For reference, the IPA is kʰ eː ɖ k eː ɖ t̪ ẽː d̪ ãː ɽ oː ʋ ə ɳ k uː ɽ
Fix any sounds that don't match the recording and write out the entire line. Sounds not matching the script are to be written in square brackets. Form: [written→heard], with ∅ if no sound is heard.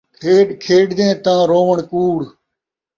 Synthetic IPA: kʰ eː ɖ [k→kʰ] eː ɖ [t̪→d̪] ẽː [d̪→t̪] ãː [ɽ→ɾ] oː ʋ ə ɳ k uː ɽ